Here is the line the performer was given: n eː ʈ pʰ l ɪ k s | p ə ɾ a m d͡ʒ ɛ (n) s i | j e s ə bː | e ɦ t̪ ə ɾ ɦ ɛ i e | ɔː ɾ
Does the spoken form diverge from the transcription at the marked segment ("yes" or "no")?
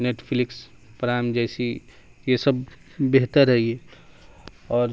yes